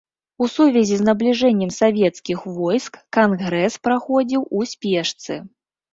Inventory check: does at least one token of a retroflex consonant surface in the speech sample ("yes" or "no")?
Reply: yes